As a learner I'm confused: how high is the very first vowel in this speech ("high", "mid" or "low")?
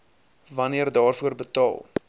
low